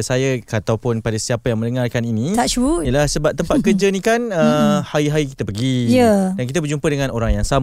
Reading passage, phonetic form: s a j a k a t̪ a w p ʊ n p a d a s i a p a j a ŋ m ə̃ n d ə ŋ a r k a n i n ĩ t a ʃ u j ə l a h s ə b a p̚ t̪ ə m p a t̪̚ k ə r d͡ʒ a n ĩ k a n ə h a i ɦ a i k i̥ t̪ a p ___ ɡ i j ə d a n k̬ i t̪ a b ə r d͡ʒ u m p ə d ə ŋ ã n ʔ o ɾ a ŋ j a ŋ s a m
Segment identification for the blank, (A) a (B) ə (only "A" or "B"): B